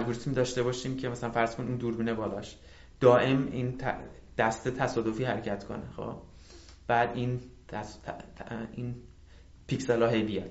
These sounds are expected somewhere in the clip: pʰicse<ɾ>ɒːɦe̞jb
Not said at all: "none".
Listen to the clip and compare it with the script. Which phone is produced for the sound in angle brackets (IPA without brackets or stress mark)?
l